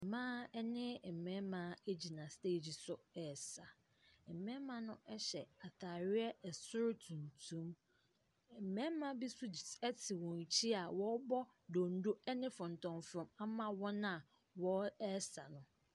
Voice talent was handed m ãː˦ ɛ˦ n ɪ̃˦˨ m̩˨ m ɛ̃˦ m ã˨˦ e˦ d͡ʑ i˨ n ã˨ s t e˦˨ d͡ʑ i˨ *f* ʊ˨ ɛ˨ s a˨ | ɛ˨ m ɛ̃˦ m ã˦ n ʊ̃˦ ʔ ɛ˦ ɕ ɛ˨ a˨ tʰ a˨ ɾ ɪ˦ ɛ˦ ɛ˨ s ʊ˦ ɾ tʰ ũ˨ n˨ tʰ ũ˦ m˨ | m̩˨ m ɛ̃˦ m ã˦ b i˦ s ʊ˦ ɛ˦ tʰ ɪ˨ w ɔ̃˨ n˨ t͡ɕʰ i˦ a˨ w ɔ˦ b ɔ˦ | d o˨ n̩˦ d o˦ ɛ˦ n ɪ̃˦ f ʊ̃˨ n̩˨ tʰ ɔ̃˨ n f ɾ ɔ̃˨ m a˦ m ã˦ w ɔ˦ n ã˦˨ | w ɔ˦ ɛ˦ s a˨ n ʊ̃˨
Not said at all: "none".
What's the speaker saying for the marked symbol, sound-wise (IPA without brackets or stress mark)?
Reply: s